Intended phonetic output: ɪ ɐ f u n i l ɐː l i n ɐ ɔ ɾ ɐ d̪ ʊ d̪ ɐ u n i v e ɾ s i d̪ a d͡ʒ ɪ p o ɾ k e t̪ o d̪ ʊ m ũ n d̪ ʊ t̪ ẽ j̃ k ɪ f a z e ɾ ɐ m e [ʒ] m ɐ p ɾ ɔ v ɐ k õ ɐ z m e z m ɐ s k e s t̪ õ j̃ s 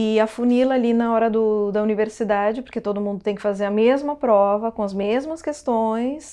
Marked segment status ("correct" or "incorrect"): incorrect